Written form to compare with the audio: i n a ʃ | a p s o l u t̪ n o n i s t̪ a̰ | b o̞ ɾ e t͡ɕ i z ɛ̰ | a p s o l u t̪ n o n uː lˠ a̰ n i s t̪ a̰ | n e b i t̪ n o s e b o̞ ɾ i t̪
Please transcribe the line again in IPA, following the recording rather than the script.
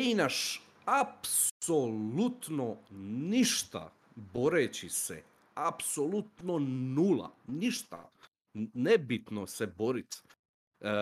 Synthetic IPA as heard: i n a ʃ | a p s o l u t̪ n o n i ʃ t̪ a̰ | b o̞ ɾ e t͡ɕ i s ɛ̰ | a p s o l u t̪ n o n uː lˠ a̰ n i ʃ t̪ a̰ | n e b i t̪ n o s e b o̞ ɾ i t̪